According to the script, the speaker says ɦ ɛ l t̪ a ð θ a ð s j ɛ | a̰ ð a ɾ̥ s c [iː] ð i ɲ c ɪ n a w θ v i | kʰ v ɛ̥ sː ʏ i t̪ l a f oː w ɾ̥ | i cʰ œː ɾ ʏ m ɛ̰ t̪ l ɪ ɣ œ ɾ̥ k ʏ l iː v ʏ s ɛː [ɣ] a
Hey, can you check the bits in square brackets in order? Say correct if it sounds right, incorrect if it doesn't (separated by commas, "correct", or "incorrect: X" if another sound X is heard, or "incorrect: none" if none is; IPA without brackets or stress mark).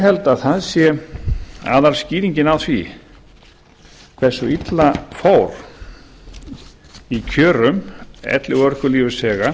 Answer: correct, correct